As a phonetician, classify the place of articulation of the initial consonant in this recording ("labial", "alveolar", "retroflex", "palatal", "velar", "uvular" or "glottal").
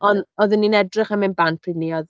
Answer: alveolar